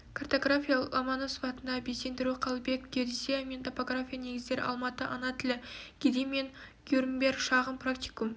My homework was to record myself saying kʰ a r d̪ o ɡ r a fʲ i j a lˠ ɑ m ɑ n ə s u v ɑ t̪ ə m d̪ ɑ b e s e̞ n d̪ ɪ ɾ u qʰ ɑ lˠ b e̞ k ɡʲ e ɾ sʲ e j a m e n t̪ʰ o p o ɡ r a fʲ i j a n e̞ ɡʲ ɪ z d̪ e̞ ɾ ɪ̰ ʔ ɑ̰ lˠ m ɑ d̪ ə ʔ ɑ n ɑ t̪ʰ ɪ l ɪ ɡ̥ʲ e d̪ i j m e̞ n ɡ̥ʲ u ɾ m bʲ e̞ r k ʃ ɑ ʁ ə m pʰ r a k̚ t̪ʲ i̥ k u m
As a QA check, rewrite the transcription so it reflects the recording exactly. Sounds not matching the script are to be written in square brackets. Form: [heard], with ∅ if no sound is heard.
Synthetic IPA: kʰ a r [t̪] o ɡ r a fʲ i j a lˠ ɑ m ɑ n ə s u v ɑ t̪ ə [n] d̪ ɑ b e s e̞ n d̪ ɪ ɾ u qʰ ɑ lˠ b e̞ k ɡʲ e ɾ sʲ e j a m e n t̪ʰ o p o ɡ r a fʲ i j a n e̞ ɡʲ ɪ z d̪ e̞ ɾ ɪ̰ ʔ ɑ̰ lˠ m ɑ [t̪] ə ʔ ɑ n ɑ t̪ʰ ɪ l ɪ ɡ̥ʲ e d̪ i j m e̞ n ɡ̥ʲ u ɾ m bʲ e̞ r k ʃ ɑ ʁ ə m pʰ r a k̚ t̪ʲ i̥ k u m